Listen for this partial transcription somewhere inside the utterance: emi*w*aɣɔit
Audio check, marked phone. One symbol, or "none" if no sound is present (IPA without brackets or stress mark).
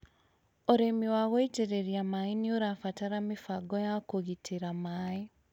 w